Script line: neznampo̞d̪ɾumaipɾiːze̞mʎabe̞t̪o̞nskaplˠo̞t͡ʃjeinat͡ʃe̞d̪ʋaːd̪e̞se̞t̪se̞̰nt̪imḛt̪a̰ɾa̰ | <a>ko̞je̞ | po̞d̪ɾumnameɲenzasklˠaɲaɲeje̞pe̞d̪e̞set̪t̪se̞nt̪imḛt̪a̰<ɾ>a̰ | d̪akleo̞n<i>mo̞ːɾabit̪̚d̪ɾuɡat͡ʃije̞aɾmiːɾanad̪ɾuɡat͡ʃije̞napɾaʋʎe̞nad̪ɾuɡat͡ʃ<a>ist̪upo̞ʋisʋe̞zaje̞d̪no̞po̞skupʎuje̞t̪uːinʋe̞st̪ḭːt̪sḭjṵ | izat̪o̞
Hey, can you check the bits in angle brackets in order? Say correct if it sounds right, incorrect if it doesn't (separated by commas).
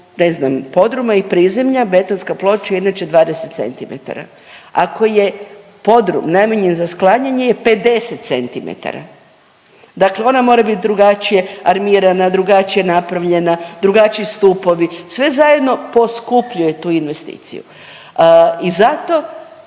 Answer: correct, correct, incorrect, incorrect